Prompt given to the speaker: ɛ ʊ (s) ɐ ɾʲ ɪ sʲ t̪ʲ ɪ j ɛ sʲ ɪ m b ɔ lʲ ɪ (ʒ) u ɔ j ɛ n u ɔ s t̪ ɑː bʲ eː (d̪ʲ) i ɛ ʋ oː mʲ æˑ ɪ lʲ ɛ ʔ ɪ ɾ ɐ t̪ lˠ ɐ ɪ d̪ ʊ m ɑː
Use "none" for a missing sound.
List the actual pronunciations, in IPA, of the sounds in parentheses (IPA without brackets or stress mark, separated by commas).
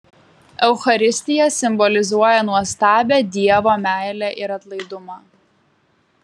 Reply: x, z, d̪ʲ